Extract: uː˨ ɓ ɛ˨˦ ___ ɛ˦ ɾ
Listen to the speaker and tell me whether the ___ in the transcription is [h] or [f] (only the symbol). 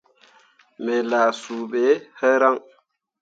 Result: h